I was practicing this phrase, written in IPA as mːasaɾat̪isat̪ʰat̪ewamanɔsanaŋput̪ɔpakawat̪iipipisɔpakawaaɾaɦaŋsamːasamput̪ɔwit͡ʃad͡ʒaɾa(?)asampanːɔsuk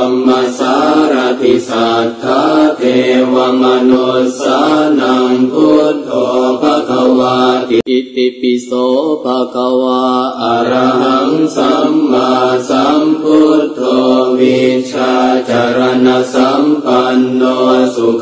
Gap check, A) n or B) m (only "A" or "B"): A